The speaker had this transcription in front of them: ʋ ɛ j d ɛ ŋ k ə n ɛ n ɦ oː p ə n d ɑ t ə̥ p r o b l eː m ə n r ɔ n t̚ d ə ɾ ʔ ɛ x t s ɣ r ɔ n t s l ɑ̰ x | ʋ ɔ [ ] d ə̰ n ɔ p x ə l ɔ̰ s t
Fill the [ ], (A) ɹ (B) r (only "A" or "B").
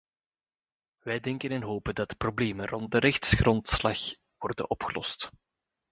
B